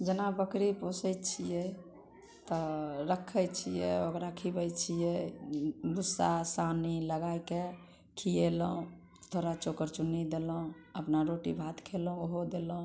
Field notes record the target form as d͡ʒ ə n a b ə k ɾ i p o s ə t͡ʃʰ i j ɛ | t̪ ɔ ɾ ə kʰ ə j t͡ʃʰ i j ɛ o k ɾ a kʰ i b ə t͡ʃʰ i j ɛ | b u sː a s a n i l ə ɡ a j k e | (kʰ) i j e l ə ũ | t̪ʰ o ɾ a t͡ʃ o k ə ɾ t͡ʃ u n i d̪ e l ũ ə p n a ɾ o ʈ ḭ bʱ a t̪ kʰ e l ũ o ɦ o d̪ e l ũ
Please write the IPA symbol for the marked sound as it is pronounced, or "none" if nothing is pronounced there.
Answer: kʰ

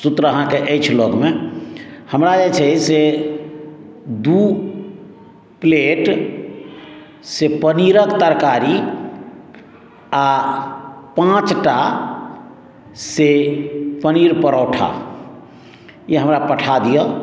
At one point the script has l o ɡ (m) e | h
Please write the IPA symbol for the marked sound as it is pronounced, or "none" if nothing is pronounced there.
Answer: m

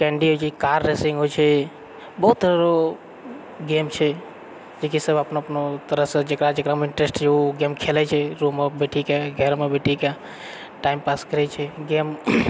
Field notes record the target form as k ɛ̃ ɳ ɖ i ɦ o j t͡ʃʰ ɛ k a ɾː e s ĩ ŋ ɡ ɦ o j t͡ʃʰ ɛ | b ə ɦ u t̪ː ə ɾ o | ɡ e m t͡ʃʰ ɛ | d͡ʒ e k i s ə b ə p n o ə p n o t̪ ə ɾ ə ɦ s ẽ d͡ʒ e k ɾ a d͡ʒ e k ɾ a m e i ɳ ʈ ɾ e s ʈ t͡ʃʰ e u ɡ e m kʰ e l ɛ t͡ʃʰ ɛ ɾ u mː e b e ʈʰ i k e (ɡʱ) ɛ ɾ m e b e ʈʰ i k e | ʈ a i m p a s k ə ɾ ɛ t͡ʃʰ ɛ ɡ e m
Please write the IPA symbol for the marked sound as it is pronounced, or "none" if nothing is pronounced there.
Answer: ɡʱ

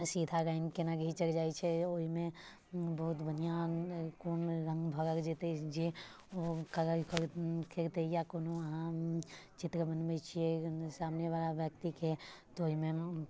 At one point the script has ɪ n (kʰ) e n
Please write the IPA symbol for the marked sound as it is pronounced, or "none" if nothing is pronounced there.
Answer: k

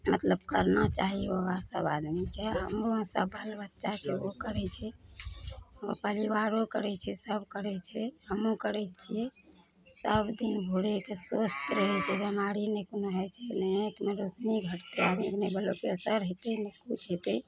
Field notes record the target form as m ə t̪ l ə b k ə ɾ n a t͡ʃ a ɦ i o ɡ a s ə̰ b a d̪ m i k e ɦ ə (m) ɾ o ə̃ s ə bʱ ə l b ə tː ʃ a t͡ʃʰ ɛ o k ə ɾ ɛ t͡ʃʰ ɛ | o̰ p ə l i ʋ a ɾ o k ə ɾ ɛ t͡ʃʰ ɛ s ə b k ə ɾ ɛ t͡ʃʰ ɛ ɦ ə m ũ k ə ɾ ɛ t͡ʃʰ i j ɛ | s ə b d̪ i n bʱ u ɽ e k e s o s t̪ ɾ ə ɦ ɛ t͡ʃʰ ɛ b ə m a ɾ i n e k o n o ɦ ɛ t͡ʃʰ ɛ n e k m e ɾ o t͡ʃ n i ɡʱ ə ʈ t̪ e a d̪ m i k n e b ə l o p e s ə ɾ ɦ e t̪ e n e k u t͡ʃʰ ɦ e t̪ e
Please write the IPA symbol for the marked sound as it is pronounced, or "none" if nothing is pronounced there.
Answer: m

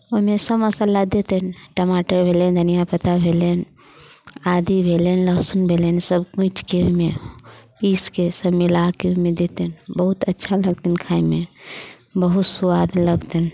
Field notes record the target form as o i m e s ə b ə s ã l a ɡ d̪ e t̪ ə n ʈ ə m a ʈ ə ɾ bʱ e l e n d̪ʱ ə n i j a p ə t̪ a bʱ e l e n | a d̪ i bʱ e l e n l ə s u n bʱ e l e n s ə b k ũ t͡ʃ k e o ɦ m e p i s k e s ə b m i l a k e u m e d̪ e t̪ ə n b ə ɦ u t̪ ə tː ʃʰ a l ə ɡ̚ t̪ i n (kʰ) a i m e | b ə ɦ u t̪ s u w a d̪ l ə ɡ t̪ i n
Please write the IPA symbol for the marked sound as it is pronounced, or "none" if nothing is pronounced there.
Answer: kʰ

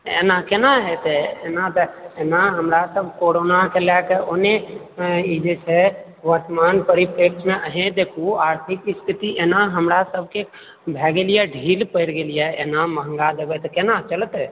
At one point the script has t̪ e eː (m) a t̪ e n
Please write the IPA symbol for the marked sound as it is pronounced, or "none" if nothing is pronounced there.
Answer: n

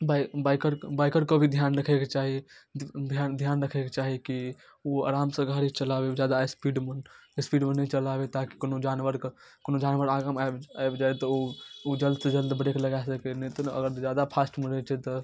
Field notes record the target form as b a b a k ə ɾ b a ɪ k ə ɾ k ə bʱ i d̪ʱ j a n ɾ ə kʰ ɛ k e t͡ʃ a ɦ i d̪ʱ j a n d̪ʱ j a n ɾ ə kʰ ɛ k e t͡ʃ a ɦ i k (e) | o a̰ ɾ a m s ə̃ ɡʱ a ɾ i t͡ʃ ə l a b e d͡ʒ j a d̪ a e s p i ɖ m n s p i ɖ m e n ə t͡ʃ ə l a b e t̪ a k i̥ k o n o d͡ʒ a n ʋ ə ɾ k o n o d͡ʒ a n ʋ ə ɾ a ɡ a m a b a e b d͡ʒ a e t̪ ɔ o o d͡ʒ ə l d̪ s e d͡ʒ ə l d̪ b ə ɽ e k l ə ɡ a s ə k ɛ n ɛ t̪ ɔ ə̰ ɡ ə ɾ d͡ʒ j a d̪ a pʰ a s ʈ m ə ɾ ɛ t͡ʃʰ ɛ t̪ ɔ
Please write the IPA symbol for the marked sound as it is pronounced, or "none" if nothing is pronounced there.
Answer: i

